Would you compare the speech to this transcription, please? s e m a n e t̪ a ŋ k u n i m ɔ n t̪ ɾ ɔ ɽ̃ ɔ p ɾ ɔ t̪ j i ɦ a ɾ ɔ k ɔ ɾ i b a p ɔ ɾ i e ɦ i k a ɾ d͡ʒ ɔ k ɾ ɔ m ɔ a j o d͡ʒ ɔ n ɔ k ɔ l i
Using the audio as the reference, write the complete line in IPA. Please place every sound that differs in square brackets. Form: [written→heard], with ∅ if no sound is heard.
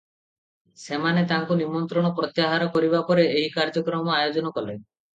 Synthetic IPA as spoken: s e m a n e t̪ a ŋ k u n i m ɔ n t̪ ɾ ɔ ɽ̃ ɔ p ɾ ɔ t̪ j [i→a] ɦ a ɾ ɔ k ɔ ɾ i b a p ɔ ɾ [i→e] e ɦ i k a ɾ d͡ʒ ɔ k ɾ ɔ m ɔ a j o d͡ʒ ɔ n ɔ k ɔ l [i→e]